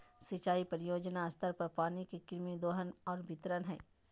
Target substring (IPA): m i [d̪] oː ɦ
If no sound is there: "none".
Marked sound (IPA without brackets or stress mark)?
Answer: d̪